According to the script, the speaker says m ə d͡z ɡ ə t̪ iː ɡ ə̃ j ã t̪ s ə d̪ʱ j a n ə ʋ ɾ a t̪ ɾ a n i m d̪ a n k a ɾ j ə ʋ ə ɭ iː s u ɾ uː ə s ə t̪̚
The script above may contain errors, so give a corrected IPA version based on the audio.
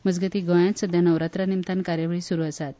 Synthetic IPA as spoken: m ə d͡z ɡ ə t̪ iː ɡ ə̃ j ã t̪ s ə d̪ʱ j a n ə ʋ ɾ a t̪ ɾ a n i m t̪ a n k a ɾ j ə ʋ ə ɭ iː s u ɾ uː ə s a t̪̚